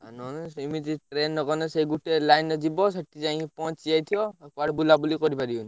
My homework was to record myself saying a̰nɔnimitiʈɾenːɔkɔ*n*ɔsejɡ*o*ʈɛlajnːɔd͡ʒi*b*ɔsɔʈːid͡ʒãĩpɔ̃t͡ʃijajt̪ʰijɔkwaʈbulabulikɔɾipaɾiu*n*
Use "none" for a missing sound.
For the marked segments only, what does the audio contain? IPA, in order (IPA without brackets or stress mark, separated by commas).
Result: n, u, b, n